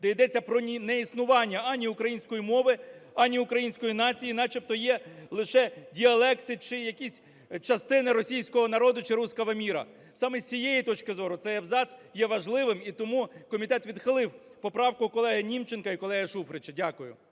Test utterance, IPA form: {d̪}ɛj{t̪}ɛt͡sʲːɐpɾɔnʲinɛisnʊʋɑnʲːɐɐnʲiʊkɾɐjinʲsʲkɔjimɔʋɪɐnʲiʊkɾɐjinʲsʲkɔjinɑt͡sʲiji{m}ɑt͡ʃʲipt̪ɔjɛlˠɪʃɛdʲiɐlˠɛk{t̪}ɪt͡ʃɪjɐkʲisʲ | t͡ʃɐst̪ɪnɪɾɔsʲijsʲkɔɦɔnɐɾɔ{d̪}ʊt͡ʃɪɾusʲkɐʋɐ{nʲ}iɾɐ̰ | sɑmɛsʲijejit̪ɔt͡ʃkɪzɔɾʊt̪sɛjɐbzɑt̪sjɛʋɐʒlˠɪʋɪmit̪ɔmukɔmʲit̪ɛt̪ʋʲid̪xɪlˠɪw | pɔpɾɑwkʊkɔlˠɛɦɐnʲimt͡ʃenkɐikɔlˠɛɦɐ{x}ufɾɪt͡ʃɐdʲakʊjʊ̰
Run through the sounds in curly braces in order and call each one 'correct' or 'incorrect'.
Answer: correct, incorrect, incorrect, correct, correct, incorrect, incorrect

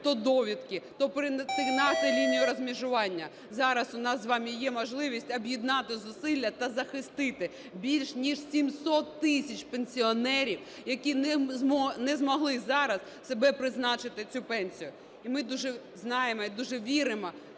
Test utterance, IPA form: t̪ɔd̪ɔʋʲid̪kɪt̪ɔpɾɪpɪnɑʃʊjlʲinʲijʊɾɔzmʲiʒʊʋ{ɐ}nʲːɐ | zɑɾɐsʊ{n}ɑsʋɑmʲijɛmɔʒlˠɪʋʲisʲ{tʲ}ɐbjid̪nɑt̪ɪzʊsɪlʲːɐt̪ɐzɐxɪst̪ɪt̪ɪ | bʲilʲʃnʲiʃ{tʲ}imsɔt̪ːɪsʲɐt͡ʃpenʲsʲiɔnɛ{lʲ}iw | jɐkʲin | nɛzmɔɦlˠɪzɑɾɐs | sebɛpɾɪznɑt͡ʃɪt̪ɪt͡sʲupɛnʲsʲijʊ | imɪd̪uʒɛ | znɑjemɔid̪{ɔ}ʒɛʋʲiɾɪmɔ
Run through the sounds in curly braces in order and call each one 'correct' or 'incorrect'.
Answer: incorrect, correct, correct, incorrect, incorrect, incorrect

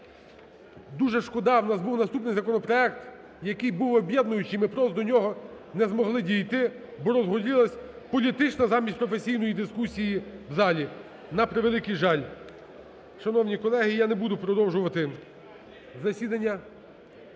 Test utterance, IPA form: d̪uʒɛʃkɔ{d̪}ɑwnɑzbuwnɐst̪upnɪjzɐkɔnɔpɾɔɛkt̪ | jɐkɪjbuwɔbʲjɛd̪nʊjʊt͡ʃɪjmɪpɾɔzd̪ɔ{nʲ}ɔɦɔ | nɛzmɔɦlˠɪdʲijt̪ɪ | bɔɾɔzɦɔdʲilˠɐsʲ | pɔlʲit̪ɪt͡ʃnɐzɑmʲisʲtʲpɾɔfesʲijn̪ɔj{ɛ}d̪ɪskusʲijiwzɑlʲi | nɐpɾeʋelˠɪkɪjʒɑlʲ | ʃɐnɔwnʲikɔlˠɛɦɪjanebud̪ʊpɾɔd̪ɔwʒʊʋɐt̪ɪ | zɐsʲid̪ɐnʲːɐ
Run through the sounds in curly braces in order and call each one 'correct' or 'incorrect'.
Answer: correct, correct, incorrect

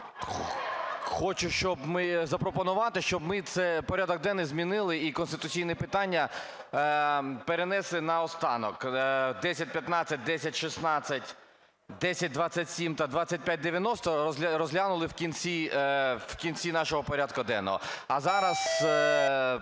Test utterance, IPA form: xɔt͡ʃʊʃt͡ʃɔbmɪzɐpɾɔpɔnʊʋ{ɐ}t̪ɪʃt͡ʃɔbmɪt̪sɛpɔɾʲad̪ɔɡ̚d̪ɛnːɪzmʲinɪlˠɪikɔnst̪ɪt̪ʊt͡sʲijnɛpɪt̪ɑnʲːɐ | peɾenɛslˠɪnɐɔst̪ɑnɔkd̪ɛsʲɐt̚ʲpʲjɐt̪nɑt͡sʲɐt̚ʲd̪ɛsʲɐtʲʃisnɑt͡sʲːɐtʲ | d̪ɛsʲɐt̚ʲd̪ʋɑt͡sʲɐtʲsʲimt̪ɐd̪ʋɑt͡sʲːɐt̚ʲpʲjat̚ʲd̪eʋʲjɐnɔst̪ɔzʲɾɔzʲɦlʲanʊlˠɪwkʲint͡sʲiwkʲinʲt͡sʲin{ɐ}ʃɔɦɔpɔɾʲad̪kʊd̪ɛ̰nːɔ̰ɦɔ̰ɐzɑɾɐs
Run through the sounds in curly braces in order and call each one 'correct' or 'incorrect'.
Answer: incorrect, incorrect

